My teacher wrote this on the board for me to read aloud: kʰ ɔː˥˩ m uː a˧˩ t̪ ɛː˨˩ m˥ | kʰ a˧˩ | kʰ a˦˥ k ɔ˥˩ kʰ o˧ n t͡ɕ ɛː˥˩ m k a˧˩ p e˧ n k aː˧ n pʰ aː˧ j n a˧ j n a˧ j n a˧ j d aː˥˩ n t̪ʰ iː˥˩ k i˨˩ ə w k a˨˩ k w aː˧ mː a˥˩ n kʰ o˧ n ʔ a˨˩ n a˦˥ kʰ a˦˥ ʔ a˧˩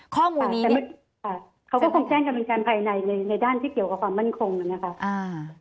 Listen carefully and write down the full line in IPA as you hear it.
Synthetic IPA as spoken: kʰ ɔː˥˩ m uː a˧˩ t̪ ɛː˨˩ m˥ | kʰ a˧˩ | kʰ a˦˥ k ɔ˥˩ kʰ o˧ ŋ t͡ɕ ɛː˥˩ ŋ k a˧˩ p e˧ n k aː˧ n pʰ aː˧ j n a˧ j n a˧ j n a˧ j d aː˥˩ n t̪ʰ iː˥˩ k i˨˩ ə w k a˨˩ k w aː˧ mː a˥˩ n kʰ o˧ ŋ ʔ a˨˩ n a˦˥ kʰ a˦˥ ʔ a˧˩